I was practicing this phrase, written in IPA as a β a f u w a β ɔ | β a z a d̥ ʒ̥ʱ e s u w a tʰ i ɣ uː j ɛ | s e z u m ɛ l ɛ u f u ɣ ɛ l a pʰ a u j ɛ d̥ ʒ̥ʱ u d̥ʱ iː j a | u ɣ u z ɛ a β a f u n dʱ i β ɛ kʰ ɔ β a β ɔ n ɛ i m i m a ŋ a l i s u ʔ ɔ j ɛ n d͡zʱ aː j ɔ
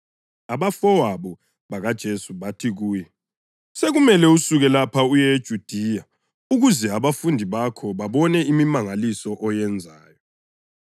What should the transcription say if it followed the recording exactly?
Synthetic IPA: a β a f ɔ w a β ɔ | β a ɣ a d̥ ʒ̥ʱ e s u β a tʰ i ɣ uː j ɛ | s e ɣ u m ɛ l ɛ u s u ɣ ɛ l a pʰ a u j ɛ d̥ ʒ̥ʱ u d̥ʱ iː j a | u ɣ u z ɛ a β a f u n dʱ i β a kʰ ɔ β a β ɔ n ɛ i m i m a ŋ a l i s ɔ ʔ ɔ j ɛ n d͡zʱ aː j ɔ